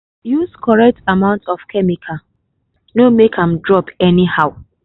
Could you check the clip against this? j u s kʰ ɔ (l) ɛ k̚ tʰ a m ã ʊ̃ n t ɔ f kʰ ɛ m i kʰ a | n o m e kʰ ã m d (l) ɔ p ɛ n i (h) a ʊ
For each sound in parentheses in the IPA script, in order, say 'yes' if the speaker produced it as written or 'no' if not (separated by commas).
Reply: no, no, yes